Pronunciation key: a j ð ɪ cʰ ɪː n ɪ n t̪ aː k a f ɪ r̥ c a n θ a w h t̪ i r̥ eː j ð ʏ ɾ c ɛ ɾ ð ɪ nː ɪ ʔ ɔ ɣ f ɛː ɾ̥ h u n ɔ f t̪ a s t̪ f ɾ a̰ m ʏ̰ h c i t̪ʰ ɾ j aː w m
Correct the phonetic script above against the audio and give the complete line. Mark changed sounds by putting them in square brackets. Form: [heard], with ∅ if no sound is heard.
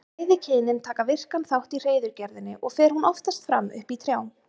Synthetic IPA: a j ð ɪ cʰ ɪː n ɪ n [t̪ʰ] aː k a [v] ɪ r̥ [k] a n θ a w h t̪ i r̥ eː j ð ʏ ɾ c ɛ ɾ ð ɪ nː ɪ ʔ ɔ ɣ f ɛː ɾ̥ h u n ɔ f t̪ a s t̪ f ɾ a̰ m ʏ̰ h [p] i t̪ʰ ɾ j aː w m